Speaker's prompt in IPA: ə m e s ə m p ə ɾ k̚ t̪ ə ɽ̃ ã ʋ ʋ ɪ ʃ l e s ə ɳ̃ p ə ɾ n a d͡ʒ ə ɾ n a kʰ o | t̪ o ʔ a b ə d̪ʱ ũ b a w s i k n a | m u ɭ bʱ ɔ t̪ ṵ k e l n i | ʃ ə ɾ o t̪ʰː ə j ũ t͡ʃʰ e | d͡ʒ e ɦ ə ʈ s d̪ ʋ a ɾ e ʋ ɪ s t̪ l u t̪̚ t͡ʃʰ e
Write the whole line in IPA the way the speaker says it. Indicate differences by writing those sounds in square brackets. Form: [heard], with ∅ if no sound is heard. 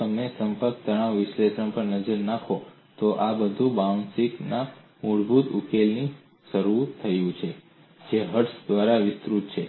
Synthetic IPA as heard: ə m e s ə m p ə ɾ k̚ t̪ ə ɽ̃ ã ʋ ʋ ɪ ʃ l e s ə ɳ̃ p ə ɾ n [ə] d͡ʒ ə ɾ n a kʰ o | t̪ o ʔ a b ə d̪ʱ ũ b a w s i k n a | m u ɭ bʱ [u] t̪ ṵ k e l n i | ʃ ə ɾ [u] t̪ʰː ə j ũ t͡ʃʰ e | d͡ʒ e ɦ ə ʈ s d̪ ʋ a ɾ [a] ʋ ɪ s t̪ [ɾ] u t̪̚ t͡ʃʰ e